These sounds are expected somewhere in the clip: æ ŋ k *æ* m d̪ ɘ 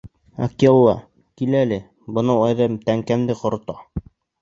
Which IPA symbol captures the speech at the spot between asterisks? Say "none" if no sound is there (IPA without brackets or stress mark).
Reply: æ